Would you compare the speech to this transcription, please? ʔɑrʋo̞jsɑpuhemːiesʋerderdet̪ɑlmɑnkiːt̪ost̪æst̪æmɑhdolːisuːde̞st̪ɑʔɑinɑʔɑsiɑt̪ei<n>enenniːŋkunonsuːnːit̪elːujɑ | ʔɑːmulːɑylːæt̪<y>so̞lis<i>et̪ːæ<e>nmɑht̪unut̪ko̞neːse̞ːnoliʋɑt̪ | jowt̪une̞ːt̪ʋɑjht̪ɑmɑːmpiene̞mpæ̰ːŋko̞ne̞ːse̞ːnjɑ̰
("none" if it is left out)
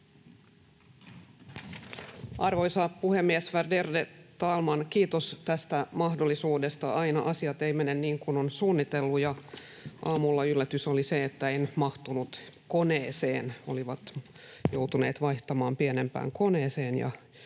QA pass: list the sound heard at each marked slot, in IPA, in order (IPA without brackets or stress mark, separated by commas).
m, y, e, e